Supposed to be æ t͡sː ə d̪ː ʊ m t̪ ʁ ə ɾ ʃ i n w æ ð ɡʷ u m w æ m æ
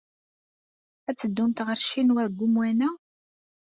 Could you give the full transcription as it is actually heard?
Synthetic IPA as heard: æ t͡sː ə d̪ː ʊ m t̪ ʁ ə ɾ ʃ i n w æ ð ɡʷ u m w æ n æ